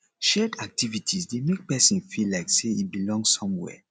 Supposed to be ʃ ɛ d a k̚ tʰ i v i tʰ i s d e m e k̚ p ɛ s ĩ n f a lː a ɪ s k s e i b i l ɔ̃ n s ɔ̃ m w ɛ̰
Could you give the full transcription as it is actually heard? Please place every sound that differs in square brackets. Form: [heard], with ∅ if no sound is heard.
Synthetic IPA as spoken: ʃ ɛ d a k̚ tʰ i v i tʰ i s d e m e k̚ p ɛ s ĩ n f [i] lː a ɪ [∅] k s e i b i l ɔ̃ [ŋ] s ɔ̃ m w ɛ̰